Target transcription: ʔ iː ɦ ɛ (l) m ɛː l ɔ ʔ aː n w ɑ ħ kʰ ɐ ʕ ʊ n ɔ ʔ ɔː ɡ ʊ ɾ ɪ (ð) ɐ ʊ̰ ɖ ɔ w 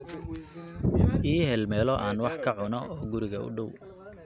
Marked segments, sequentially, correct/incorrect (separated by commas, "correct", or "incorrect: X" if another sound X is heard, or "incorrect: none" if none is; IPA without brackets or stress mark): correct, incorrect: ɣ